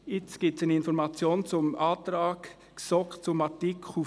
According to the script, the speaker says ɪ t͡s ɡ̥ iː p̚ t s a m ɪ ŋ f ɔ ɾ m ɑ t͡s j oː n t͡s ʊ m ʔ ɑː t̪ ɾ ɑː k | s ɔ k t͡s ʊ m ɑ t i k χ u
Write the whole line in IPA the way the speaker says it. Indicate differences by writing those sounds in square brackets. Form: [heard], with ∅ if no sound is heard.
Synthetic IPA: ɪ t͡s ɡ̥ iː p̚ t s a [n] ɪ [n] f ɔ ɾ m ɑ t͡s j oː n t͡s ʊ m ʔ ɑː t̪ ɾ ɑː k | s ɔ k t͡s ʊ m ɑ t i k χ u